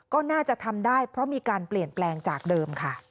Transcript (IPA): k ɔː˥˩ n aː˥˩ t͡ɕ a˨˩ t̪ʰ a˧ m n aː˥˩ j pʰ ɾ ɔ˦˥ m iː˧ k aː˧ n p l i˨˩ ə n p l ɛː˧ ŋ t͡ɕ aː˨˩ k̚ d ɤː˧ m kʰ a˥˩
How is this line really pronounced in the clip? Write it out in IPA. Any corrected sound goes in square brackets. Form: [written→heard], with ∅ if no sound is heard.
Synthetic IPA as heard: k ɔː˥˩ n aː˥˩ t͡ɕ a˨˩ t̪ʰ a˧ m [n→d] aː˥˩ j pʰ ɾ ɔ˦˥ m iː˧ k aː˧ n p l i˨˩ ə n p l ɛː˧ ŋ t͡ɕ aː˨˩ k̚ d ɤː˧ m kʰ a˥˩